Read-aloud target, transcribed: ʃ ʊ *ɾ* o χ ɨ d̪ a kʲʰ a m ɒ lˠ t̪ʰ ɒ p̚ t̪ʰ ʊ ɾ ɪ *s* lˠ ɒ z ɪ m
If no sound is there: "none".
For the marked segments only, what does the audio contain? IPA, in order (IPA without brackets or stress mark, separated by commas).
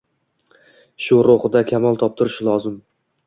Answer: ɾ, ʃ